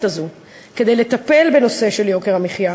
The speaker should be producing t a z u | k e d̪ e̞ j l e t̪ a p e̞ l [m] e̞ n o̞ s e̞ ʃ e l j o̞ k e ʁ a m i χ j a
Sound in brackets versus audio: incorrect: b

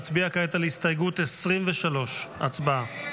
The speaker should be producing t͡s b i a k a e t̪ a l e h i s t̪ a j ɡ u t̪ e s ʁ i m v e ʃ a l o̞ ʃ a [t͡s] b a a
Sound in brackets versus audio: correct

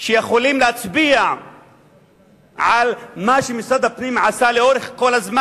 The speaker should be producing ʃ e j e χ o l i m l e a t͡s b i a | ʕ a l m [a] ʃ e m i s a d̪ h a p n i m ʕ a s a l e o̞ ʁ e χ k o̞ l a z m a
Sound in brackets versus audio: correct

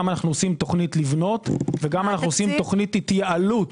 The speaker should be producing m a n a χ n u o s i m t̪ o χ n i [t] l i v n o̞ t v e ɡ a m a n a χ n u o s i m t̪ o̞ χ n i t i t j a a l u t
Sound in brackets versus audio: correct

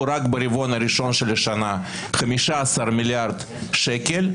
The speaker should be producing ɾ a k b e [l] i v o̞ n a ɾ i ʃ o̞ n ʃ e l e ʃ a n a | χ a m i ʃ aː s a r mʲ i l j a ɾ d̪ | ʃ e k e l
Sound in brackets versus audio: incorrect: ɾ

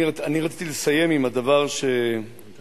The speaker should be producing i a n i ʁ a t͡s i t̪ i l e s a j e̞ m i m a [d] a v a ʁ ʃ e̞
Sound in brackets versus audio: correct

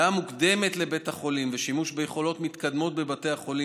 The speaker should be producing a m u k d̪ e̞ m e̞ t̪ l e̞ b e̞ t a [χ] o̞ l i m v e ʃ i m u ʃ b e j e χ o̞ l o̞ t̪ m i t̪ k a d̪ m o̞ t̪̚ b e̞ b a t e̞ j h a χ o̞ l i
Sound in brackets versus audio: correct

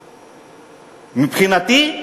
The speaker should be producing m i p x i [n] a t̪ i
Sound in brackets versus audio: correct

